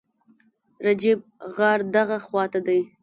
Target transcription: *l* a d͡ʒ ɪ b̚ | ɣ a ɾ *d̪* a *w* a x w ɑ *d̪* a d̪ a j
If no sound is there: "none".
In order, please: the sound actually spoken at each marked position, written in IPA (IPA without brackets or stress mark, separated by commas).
ɾ, d̪, ɣ, t̪